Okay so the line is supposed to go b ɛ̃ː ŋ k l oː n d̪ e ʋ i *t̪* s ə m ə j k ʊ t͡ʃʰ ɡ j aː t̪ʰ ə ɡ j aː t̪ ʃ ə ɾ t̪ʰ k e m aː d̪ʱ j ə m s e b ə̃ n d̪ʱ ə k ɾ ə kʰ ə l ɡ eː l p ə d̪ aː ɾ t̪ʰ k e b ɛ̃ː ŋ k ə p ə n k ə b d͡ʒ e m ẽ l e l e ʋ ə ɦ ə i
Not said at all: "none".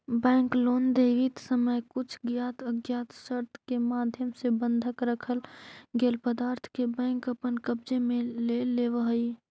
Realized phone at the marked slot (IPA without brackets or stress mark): t̪